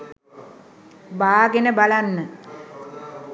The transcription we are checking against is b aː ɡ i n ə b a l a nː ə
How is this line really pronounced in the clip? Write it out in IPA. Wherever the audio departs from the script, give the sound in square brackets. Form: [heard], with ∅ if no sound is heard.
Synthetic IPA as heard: b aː ɡ [e] n ə b a l a nː ə

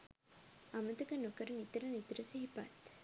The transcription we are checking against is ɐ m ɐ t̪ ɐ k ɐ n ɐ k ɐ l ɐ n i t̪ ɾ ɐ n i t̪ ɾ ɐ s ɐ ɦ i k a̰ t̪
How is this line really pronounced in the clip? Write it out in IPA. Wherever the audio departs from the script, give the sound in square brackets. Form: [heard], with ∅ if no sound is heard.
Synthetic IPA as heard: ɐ m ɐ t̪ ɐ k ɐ n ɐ k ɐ [ɾ] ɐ n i t̪ ɾ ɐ n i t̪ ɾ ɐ s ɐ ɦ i [p] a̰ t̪

